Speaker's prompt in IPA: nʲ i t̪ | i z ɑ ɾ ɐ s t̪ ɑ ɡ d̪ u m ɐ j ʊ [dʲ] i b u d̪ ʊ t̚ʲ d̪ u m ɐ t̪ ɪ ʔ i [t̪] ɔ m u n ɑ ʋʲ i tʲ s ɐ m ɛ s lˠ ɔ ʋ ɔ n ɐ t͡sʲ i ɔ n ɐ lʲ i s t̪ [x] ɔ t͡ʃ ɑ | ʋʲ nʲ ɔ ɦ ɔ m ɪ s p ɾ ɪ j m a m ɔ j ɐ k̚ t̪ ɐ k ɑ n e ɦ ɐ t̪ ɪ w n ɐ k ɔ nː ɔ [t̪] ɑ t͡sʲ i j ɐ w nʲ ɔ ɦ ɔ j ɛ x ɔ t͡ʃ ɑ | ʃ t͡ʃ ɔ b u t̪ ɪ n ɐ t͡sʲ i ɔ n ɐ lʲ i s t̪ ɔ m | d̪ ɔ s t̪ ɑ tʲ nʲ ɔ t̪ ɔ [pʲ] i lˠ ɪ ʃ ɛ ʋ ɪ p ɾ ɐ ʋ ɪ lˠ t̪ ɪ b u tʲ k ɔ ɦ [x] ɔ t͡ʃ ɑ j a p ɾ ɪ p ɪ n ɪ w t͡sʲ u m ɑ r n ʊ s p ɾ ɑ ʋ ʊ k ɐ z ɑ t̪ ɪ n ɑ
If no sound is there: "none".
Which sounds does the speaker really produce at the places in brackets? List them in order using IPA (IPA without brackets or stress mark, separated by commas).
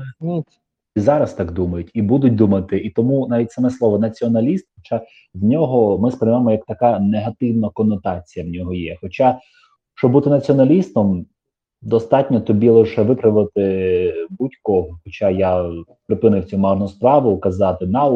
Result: tʲ, t̪, x, t̪, bʲ, x